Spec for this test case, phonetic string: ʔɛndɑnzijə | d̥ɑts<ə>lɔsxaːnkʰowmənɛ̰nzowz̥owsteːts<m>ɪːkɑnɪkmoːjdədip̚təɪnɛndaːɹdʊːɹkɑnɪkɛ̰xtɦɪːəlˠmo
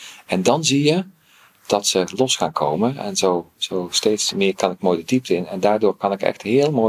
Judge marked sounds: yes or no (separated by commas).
yes, yes